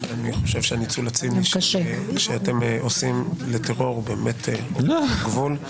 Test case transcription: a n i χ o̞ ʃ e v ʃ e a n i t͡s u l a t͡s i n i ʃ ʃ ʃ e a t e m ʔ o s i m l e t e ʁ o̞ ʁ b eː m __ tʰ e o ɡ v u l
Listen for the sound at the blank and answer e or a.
e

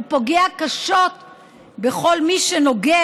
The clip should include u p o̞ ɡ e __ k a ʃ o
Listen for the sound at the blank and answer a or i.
a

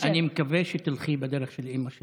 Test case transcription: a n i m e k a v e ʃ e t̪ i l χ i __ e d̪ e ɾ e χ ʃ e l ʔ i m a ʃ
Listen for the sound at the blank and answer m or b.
b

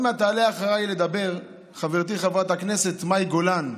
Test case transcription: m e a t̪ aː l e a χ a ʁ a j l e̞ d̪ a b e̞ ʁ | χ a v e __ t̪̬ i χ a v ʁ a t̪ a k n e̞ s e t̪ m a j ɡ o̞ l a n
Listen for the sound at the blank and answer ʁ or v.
ʁ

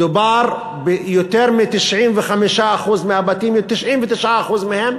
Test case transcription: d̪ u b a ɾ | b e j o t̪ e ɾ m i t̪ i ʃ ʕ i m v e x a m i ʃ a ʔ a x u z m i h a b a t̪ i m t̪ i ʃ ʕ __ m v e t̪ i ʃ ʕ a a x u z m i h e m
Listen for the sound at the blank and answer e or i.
i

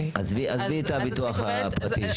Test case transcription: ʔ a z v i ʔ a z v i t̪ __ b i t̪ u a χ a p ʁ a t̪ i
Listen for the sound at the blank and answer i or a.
a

